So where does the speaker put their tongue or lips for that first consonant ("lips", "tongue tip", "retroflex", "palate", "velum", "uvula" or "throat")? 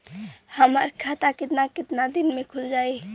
throat